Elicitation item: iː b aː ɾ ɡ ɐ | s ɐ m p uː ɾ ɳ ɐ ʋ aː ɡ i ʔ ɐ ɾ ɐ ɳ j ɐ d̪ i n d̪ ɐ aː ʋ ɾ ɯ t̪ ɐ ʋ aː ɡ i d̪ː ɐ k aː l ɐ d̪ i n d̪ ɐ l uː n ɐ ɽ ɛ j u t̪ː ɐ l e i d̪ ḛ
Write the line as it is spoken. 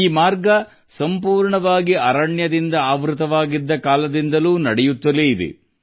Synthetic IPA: iː m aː ɾ ɡ ɐ | s ɐ m p uː ɾ ɳ ɐ ʋ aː ɡ i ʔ ɐ ɾ ɐ ɳ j ɐ d̪ i n d̪ ɐ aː ʋ ɾ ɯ t̪ ɐ ʋ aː ɡ i d̪ː ɐ k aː l ɐ d̪ i n d̪ ɐ l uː n ɐ ɽ ɛ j u t̪ː ɐ l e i d̪ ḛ